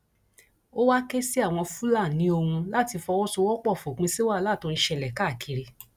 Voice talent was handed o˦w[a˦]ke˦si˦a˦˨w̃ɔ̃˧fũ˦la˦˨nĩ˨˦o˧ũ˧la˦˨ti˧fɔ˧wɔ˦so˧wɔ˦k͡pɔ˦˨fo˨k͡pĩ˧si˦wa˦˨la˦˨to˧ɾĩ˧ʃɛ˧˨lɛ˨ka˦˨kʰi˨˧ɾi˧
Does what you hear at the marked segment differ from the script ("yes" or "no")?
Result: no